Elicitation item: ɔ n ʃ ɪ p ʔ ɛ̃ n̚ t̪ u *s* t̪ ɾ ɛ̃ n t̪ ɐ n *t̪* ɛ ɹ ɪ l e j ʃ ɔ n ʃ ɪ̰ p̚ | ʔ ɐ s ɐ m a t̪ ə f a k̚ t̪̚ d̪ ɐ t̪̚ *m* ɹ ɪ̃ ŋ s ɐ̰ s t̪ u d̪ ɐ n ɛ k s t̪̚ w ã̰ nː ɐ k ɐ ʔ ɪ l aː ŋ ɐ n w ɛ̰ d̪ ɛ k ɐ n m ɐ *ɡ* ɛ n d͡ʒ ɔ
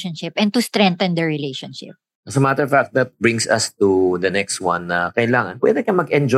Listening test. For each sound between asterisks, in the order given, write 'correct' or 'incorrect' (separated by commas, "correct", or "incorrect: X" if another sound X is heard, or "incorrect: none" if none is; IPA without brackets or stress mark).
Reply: correct, incorrect: d̪, incorrect: b, correct